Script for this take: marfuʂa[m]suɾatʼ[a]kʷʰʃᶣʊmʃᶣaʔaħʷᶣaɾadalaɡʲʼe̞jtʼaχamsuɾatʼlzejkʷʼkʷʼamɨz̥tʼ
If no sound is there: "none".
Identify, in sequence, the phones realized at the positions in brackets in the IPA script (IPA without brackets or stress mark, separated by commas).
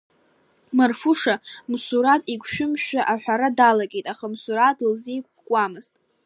m, i